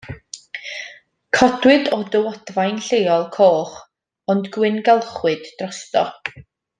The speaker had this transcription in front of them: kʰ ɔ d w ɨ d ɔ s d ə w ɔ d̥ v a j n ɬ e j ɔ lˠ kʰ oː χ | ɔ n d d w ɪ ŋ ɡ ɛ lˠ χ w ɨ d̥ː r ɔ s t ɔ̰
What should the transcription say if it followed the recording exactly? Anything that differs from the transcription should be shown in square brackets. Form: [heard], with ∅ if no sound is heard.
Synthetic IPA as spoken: kʰ ɔ d w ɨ d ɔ [∅] d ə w ɔ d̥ v a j n ɬ e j ɔ lˠ kʰ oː χ | ɔ n d [ɡ] w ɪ [n] ɡ ɛ lˠ χ w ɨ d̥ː r ɔ s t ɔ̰